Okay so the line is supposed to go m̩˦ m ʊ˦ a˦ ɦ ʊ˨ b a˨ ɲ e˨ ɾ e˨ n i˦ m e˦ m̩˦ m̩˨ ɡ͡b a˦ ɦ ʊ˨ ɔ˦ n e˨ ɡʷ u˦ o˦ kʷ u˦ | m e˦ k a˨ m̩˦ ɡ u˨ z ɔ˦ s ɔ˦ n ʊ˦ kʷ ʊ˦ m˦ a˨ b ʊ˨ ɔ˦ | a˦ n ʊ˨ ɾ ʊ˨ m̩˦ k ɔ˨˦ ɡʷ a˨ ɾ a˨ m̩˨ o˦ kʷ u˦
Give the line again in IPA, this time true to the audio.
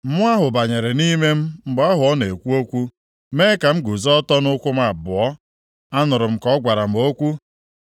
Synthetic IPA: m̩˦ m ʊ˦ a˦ ɦ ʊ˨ b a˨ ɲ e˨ ɾ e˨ n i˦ m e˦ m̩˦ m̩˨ ɡ͡b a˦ ɦ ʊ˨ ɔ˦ n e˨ kʷ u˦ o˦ kʷ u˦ | m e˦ k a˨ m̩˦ ɡ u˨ z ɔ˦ t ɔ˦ n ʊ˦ kʷ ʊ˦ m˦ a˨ b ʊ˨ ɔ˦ | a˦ n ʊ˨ ɾ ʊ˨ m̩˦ k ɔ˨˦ ɡʷ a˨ ɾ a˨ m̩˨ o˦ kʷ u˦